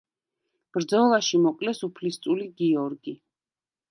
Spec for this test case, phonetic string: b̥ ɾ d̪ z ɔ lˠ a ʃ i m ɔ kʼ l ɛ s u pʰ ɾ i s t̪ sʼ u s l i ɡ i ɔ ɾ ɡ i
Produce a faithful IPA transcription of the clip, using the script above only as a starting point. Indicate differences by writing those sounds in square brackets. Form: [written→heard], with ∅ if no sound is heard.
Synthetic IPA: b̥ ɾ d̪ z ɔ lˠ a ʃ i m ɔ [kʼ→qʼ] l ɛ s u pʰ [ɾ→l] i s t̪ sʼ u [s→∅] l i ɡ i ɔ ɾ ɡ i